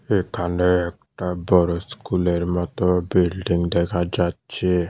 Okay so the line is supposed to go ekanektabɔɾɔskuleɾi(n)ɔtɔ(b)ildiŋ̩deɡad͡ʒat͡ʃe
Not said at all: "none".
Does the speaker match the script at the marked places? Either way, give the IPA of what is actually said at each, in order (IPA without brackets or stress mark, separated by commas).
m, b